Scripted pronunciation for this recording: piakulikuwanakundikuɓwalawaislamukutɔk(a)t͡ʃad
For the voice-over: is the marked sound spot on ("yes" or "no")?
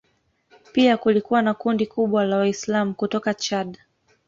yes